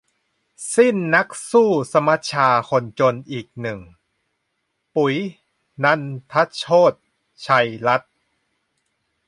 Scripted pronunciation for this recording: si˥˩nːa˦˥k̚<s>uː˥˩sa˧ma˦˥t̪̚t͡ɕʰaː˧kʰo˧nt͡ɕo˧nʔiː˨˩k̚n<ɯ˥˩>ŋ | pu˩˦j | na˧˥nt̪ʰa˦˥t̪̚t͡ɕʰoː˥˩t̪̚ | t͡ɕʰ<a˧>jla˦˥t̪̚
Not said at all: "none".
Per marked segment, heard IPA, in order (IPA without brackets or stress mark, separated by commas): s, ɯ˨˩, a˧